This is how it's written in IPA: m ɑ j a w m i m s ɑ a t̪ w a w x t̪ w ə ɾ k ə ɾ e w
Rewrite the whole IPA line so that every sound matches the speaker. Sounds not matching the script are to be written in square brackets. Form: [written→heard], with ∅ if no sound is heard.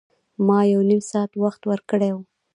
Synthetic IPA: m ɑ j a w [m→n] i m s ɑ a t̪ w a [w→∅] x t̪ w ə ɾ k ə [ɾ→ɽ] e w